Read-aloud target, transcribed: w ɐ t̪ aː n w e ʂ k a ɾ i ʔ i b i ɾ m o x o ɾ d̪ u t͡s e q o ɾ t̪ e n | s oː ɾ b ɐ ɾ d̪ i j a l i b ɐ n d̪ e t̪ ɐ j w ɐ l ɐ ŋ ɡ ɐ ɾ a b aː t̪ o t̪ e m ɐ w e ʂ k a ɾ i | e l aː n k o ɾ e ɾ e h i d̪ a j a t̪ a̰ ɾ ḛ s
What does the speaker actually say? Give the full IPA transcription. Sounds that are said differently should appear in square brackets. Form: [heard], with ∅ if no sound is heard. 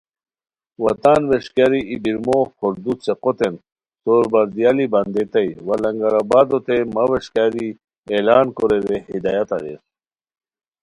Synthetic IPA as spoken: w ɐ t̪ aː n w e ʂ k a ɾ i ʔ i b i ɾ m o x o ɾ d̪ u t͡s e q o [∅] t̪ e n | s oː ɾ b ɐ ɾ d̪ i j a l i b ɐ n d̪ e t̪ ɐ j w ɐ l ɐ ŋ ɡ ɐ ɾ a b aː [d̪] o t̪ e m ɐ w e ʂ k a ɾ i | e l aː n k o ɾ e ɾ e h i d̪ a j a t̪ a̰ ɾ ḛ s